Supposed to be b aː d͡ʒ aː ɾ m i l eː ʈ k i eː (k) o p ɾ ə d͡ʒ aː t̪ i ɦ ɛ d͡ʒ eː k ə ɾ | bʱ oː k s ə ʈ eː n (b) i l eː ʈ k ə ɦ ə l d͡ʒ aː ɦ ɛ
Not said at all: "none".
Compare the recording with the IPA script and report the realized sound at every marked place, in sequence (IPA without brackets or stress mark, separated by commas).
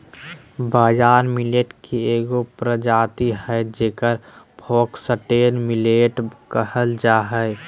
ɡ, m